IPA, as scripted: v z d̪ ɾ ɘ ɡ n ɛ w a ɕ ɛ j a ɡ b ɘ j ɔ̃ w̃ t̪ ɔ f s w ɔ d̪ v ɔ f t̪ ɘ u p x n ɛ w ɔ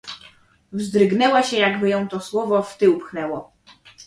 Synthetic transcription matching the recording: v z d̪ ɾ ɘ ɡ n ɛ w a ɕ ɛ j a ɡ b ɘ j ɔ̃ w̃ t̪ ɔ s w ɔ v ɔ f t̪ ɘ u p x n ɛ w ɔ

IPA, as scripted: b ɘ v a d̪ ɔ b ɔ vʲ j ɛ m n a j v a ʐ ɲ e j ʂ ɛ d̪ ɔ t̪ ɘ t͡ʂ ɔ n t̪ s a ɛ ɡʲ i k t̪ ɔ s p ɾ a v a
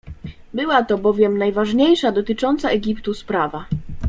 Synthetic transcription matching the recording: b ɘ w a t̪ ɔ b ɔ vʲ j ɛ m n a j v a ʐ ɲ e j ʂ a d̪ ɔ t̪ ɘ t͡ʂ ɔ n t̪ s a ɛ ɡʲ i p t̪ u s p ɾ a v a

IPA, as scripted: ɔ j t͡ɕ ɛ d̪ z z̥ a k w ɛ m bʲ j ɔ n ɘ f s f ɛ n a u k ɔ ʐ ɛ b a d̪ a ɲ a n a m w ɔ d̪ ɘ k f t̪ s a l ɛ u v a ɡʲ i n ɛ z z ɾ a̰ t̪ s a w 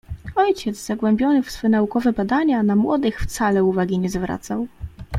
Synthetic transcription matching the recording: ɔ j t͡ɕ ɛ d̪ z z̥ a ɡ w ɛ m bʲ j ɔ n ɘ f s f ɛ n a u k ɔ v ɛ b a d̪ a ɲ a n a m w ɔ d̪ ɘ x f t̪ s a l ɛ u v a ɡʲ i ɲ ɛ z v ɾ a̰ t̪ s a w

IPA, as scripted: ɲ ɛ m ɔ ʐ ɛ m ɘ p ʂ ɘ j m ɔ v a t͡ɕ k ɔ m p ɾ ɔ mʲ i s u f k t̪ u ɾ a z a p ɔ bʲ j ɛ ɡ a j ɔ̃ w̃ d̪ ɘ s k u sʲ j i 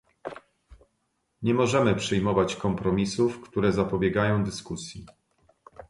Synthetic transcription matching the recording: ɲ ɛ m ɔ ʐ ɛ m ɘ p ʂ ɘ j m ɔ v a t͡ɕ k ɔ m p ɾ ɔ mʲ i s u f k t̪ u ɾ ɛ z a p ɔ bʲ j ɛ ɡ a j ɔ̃ w̃ d̪ ɘ s k u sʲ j i

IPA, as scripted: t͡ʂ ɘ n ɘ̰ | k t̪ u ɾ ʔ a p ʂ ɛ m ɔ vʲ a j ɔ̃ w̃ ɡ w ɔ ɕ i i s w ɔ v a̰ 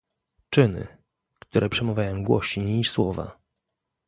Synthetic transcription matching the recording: t͡ʂ ɘ n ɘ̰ | k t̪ u ɾ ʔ ɛ p ʂ ɛ m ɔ vʲ a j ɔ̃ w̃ ɡ w ɔ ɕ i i s w ɔ v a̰

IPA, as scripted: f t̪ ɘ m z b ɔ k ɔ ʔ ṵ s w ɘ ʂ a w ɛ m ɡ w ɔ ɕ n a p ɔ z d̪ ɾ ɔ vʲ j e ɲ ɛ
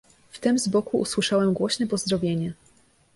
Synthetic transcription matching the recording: f t̪ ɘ m z b ɔ k u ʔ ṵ s w ɘ ʂ a w ɛ m ɡ w ɔ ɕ n ɛ p ɔ z d̪ ɾ ɔ vʲ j e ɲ ɛ

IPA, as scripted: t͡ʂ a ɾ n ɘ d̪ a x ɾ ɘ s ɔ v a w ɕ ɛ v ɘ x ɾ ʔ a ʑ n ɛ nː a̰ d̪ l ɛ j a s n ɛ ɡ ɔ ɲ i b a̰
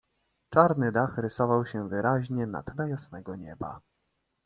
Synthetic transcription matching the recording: t͡ʂ a ɾ n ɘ d̪ a x ɾ ɘ s ɔ v a w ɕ ɛ v ɘ ɾ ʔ a ʑ ɲ ɛ n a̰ t̪ l ɛ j a s n ɛ ɡ ɔ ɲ ɛ b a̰

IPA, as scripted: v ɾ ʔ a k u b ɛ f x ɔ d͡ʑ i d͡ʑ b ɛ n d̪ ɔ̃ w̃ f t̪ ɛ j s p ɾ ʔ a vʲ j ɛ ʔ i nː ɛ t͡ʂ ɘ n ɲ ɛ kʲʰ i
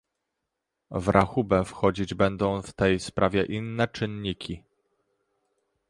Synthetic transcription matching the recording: v ɾ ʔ a x u b ɛ f x ɔ d͡ʑ i d͡ʑ b ɛ n d̪ ɔ̃ w̃ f t̪ ɛ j s p ɾ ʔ a vʲ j ɛ ʔ i nː ɛ t͡ʂ ɘ n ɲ i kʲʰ i

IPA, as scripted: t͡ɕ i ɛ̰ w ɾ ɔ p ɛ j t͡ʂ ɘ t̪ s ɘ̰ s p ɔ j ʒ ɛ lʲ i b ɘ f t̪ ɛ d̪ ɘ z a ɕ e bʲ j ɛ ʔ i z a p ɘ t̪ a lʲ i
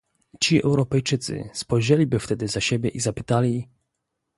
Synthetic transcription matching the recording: t͡ɕ i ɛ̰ w ɾ ɔ p ɛ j t͡ʂ ɘ t̪ s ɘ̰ s p ɔ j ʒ ɛ lʲ i b ɘ f t̪ ɛ d̪ ɘ z a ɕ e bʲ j ɛ ʔ i z a p ɘ t̪ a lʲ i

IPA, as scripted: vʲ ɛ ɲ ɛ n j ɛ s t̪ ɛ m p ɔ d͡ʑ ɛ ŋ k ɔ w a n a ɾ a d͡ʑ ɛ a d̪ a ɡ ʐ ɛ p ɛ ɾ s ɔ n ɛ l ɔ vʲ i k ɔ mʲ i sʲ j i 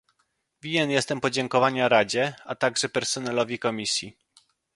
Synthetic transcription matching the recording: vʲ i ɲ ɛ n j ɛ s t̪ ɛ m p ɔ d͡ʑ ɛ ŋ k ɔ v a ɲ a ɾ a d͡ʑ ɛ a t̪ a ɡ ʐ ɛ p ɛ ɾ s ɔ n ɛ l ɔ vʲ i k ɔ mʲ i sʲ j i

